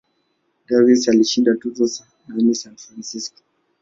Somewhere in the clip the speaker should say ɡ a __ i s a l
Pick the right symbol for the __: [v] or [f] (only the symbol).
v